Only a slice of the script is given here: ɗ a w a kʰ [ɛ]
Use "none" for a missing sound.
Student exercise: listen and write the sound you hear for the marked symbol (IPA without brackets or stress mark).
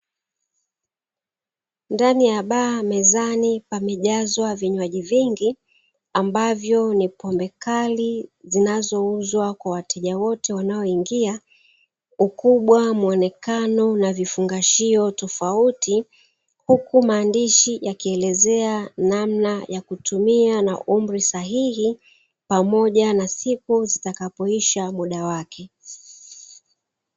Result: ɛ